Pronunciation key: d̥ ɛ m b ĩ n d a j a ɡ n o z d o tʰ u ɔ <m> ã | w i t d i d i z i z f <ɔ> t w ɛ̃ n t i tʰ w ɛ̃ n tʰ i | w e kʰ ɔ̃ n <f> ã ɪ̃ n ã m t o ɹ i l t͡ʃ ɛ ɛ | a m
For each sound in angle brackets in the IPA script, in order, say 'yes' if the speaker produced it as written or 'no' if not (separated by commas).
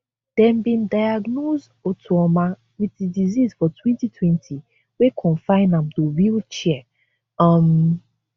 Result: yes, yes, yes